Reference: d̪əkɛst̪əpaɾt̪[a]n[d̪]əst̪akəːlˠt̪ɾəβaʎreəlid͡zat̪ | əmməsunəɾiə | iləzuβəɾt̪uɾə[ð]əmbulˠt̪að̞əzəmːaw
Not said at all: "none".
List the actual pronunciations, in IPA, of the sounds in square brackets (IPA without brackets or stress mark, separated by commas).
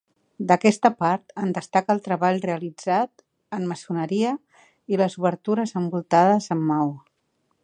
ə, d̪, z